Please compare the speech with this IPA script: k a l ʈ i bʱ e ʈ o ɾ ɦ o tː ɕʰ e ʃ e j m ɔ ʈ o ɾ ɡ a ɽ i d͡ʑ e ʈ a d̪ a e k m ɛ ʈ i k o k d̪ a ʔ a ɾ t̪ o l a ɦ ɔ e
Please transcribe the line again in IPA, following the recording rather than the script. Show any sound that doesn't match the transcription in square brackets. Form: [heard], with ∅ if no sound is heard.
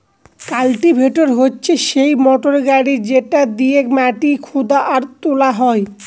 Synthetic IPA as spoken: k a l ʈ i bʱ e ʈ o ɾ ɦ o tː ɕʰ e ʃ e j m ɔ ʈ o ɾ ɡ a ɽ i d͡ʑ e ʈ a d̪ [i] e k m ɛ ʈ i [kʰ] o [∅] d̪ a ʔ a ɾ t̪ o l a ɦ ɔ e